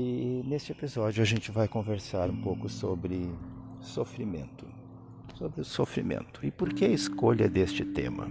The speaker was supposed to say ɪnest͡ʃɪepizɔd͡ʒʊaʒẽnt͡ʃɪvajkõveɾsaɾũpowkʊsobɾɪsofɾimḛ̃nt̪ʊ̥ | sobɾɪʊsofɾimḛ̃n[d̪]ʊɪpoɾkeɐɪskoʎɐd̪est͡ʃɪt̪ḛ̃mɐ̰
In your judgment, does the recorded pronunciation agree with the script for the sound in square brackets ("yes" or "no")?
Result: no